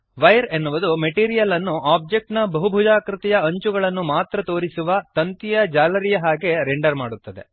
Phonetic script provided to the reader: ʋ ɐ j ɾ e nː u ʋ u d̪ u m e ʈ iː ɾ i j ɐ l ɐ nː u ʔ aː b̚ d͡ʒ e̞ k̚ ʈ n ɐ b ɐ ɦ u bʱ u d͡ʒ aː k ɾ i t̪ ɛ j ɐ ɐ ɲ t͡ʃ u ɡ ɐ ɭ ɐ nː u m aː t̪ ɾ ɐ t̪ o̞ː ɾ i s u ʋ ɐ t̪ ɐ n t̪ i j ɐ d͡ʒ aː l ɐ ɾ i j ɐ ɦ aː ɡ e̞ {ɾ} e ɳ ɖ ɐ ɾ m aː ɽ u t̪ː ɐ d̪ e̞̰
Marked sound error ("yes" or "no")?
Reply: no